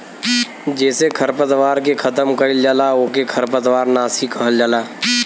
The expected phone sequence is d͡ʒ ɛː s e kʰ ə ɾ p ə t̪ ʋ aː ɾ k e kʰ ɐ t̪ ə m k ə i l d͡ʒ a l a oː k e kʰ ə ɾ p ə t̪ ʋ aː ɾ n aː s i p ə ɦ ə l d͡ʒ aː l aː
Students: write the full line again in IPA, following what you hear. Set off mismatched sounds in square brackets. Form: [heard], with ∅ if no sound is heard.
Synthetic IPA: d͡ʒ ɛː s e kʰ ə ɾ p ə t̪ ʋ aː ɾ k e kʰ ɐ t̪ ə m k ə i l d͡ʒ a l a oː k e kʰ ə ɾ p ə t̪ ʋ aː ɾ n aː s i [k] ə ɦ ə l d͡ʒ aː l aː